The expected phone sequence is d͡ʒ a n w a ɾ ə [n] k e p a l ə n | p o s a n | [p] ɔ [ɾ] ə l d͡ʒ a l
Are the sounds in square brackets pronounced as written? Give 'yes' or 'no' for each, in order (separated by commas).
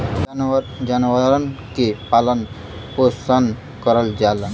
yes, no, yes